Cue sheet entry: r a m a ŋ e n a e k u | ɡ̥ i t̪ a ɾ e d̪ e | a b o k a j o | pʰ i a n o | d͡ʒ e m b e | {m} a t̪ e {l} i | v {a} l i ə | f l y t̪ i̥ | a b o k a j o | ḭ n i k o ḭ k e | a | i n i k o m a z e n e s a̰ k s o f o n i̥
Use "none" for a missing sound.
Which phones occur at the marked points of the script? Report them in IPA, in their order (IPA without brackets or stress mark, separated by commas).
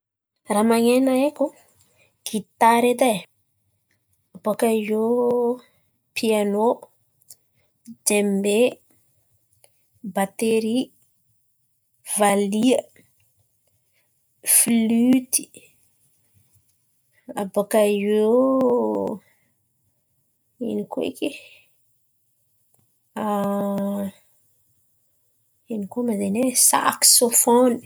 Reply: b, ɾ, a